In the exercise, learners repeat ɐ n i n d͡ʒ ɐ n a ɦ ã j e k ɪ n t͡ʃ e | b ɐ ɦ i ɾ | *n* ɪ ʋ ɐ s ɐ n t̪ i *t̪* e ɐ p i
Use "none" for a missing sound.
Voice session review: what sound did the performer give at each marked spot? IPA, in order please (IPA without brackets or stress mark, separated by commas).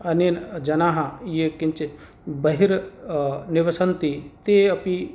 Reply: n, t̪